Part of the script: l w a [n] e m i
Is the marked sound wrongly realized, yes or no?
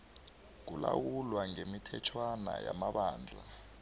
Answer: yes